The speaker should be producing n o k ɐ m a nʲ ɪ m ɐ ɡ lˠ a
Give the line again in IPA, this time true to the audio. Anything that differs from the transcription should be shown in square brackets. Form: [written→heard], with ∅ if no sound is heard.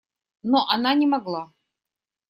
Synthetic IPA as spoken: n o [k→ʔ] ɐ [m→n] a nʲ ɪ m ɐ ɡ lˠ a